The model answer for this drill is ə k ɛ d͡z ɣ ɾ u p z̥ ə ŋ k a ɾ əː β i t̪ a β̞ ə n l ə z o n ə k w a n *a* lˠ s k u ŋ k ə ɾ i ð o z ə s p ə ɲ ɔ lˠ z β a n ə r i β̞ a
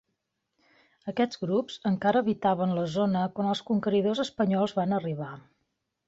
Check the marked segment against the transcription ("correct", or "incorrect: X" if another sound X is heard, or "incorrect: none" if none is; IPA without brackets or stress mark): incorrect: ə